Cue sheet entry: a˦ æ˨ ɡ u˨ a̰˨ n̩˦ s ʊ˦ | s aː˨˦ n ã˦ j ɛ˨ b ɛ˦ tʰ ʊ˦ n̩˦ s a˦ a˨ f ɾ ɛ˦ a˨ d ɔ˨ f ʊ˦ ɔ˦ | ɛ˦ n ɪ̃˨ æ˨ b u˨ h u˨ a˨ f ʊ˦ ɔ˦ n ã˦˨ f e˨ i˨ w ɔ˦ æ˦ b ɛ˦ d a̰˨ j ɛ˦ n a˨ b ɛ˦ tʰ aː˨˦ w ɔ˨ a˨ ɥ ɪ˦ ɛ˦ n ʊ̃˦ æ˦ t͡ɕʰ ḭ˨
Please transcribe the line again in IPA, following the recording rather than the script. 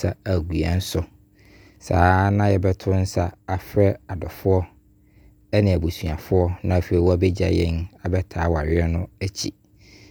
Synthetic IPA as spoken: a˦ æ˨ ɡ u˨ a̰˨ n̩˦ s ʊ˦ | s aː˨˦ n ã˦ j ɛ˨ b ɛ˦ tʰ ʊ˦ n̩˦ s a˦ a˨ f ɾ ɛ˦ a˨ d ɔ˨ f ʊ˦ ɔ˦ | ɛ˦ n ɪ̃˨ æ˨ b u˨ s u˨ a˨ f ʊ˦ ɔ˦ n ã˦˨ f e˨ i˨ w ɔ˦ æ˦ b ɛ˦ d͡ʑ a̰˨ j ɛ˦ n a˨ b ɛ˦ tʰ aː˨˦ w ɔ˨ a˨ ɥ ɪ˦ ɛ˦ n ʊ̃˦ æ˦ t͡ɕʰ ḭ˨